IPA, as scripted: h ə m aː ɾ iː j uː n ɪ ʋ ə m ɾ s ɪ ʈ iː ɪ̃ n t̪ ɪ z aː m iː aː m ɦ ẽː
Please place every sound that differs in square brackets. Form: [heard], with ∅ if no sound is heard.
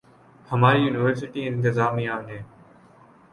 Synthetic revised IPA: h ə m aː ɾ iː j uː n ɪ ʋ ə [∅] ɾ s ɪ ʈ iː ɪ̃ n t̪ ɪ z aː m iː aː [n] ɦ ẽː